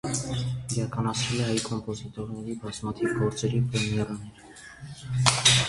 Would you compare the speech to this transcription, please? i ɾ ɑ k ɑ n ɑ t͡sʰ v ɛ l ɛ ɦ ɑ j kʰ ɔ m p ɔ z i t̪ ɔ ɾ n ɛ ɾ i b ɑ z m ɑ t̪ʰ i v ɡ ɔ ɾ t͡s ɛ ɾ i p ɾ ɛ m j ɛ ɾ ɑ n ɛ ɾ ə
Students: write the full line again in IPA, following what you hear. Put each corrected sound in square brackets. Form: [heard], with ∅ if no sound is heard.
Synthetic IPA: i ɾ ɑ k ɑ n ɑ t͡sʰ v ɛ l ɛ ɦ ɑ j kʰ ɔ m p ɔ z i t̪ ɔ ɾ n ɛ ɾ i b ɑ z m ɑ t̪ʰ i v ɡ ɔ ɾ t͡s ɛ ɾ i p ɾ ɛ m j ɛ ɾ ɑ n ɛ ɾ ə